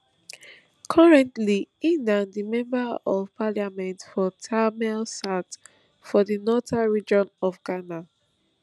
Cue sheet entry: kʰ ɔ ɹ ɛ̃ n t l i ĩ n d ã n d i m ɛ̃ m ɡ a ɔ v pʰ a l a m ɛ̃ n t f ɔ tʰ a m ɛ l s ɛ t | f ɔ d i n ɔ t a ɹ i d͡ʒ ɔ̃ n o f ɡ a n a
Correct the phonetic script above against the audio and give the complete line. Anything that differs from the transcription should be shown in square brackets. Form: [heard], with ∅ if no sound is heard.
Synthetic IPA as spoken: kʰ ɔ ɹ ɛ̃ n t l i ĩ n d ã n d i m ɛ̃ m [b] a ɔ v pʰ a l a m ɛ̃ n t f ɔ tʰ a m ɛ l s [a] t | f ɔ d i n ɔ t a ɹ i d͡ʒ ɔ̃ n [ɔ] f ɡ a n a